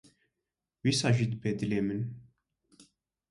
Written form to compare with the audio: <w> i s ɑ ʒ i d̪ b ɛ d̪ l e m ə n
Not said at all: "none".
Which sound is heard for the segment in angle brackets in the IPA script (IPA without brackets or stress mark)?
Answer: w